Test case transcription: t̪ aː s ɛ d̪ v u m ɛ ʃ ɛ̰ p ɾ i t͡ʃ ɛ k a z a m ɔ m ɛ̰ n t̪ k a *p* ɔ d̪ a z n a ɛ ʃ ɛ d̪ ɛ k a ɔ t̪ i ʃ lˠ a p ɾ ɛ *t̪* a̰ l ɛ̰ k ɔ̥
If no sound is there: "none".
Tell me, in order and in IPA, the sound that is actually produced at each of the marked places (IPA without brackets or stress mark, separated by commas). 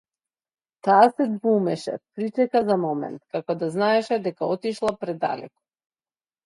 k, d̪